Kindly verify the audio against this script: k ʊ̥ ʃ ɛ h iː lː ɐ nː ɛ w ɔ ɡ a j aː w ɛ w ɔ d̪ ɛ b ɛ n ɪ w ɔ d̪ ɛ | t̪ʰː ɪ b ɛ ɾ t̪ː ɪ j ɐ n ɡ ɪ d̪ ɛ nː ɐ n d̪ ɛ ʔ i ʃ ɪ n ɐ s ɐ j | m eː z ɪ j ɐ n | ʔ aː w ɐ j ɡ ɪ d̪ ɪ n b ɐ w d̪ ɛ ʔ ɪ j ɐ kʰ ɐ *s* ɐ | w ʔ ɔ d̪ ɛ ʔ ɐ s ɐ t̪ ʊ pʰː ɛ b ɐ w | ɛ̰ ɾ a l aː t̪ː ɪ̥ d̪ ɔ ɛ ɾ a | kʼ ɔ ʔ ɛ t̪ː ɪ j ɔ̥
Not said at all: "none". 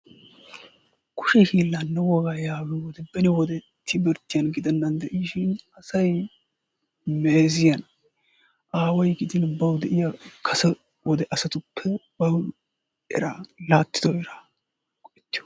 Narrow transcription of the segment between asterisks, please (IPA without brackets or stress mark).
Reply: s